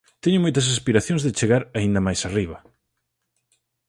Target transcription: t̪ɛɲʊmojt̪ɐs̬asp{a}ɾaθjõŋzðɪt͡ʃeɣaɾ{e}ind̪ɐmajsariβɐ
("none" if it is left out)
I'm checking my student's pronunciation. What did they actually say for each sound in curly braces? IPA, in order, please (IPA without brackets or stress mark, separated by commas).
i, a